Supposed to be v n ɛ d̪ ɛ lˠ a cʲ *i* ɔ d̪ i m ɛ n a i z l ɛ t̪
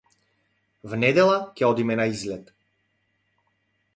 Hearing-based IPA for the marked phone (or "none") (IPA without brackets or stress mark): ɛ